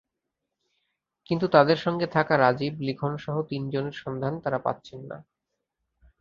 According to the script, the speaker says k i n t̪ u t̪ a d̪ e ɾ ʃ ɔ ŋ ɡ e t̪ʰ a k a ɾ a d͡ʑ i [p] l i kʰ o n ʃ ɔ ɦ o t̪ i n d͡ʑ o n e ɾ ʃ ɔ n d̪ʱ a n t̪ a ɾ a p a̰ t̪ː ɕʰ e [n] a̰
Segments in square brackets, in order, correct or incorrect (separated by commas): incorrect, incorrect